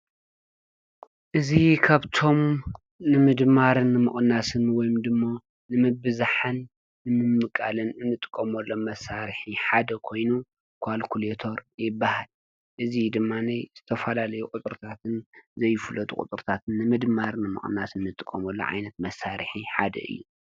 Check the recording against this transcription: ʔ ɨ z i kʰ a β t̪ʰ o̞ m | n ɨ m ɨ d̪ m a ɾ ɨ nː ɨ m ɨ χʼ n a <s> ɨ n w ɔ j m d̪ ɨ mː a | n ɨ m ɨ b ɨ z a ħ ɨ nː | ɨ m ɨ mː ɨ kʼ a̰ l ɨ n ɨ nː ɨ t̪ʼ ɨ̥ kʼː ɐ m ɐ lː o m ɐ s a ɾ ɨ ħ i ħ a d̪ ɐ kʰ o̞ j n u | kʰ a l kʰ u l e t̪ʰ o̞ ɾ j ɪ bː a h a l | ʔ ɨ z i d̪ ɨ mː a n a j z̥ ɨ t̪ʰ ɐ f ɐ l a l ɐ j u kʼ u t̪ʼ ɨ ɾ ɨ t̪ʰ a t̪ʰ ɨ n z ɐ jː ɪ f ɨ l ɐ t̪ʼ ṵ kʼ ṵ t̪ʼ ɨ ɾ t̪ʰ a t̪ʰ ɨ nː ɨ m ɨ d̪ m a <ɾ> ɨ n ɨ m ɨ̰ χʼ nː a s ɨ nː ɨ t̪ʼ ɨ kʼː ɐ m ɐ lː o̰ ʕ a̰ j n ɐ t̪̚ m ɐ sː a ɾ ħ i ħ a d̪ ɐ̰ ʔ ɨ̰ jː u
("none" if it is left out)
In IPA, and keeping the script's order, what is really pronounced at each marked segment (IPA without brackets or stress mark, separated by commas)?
s, ɾ